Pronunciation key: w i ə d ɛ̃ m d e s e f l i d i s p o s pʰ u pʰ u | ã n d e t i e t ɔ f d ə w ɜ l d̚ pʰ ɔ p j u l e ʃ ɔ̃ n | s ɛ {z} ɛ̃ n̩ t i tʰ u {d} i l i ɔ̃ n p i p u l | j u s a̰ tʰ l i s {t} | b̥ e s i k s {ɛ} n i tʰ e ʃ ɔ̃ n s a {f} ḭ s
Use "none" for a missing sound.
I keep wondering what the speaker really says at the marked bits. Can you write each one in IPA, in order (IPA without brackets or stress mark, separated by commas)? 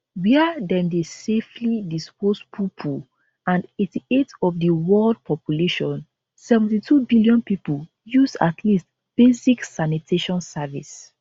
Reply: v, b, t, a, v